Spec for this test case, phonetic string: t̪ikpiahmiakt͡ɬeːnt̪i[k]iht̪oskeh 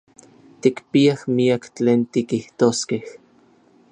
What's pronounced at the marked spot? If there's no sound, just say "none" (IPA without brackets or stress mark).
k